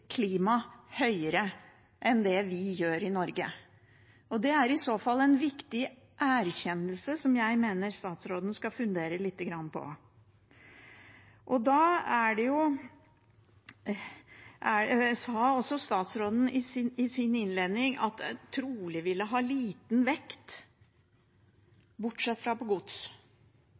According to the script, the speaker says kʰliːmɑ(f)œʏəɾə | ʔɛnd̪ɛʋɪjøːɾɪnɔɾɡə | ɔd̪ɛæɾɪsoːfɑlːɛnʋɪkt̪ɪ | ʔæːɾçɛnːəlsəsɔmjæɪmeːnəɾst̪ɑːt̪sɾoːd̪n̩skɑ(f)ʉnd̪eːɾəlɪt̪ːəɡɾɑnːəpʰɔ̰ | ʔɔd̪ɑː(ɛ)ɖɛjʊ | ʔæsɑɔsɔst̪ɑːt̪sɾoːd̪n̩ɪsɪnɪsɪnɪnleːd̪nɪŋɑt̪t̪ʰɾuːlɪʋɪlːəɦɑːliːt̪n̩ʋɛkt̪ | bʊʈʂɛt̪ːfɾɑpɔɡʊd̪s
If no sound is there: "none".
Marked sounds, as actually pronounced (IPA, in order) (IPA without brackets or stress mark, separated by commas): h, f, æ